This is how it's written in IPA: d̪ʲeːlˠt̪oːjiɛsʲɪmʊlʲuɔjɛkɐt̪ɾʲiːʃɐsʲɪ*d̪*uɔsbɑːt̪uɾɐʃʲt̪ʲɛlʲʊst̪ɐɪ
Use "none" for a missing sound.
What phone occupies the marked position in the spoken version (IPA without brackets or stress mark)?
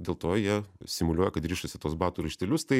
t̪